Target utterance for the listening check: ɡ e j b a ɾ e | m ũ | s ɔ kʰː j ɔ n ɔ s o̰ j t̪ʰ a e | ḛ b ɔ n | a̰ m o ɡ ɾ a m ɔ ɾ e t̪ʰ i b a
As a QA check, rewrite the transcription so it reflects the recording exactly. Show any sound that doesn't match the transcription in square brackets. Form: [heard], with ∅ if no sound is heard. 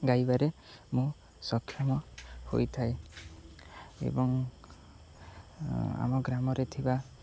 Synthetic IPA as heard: ɡ [a] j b a ɾ e | m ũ | s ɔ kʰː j ɔ [m] ɔ [h] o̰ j t̪ʰ a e | ḛ b ɔ [ŋ] | a̰ m [ɔ] ɡ ɾ a m ɔ ɾ e t̪ʰ i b a